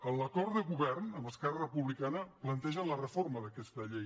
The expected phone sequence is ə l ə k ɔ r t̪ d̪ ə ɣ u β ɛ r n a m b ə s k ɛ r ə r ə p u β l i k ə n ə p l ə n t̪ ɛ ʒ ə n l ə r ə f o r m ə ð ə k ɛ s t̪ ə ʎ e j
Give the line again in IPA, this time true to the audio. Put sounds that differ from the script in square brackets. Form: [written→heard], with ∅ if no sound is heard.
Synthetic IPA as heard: ə l ə k ɔ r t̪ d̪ ə ɣ u β ɛ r n [a→ə] m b ə s k ɛ r ə r ə p u β l i k [ə→a] n ə p l ə n t̪ ɛ ʒ ə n l ə r ə f o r m ə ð ə k ɛ s t̪ ə ʎ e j